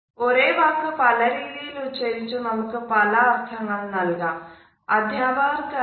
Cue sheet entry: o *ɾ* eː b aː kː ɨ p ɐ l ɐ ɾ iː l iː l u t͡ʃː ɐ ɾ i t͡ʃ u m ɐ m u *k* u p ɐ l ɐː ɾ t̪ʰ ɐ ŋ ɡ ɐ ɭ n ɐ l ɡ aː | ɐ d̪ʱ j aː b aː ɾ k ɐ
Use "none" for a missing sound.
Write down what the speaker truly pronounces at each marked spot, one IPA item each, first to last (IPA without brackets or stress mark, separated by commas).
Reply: ɾ, k